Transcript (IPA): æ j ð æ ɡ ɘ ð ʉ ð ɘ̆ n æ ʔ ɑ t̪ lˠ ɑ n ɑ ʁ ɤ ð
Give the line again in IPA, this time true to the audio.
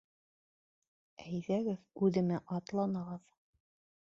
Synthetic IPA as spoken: æ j ð æ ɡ ɘ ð ʉ ð ɘ̆ m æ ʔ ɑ t̪ lˠ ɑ n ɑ ʁ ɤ ð